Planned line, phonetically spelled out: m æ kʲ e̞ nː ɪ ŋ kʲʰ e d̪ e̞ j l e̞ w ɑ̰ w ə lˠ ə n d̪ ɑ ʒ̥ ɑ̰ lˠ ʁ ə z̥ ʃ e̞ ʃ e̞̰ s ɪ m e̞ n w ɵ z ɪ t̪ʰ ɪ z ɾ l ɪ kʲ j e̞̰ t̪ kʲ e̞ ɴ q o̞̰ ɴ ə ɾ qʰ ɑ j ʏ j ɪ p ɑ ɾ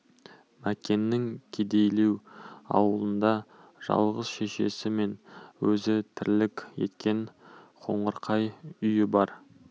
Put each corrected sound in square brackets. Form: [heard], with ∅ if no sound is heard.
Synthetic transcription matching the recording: m æ kʲ e̞ nː ɪ ŋ kʲʰ e d̪ e̞ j l e̞ w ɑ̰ w ə lˠ ə n d̪ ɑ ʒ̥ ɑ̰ lˠ ʁ ə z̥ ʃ e̞ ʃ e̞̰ s ɪ m e̞ n w ɵ z ɪ t̪ʰ ɪ [∅] ɾ l ɪ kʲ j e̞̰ t̪ kʲ e̞ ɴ [qʰ] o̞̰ ɴ ə ɾ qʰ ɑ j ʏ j ɪ [b] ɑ ɾ